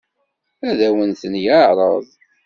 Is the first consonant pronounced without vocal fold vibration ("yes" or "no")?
no